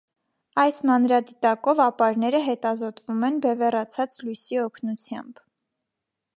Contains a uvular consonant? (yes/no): no